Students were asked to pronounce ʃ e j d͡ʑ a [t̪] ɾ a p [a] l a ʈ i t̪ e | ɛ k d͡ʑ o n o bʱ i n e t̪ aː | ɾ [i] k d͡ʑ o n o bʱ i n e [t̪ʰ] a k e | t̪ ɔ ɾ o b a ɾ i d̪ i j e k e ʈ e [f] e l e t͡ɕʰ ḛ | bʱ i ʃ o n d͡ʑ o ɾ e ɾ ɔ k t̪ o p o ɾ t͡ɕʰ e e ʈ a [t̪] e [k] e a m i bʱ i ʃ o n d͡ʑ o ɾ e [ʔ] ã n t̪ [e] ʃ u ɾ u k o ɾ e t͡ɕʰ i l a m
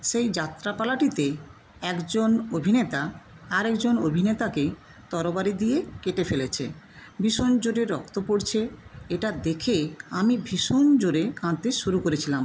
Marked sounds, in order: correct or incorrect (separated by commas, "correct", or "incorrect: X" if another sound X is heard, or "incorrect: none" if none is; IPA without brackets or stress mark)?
correct, correct, incorrect: ɛ, incorrect: t̪, correct, incorrect: d̪, incorrect: kʰ, incorrect: k, correct